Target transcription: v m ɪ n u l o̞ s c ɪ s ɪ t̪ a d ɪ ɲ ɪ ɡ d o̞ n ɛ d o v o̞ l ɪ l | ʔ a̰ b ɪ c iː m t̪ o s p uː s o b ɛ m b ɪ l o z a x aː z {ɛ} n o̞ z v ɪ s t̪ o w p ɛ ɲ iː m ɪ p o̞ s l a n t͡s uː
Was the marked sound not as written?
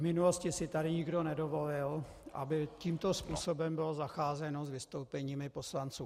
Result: no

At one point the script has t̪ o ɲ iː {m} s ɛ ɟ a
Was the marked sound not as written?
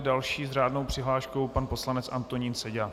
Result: yes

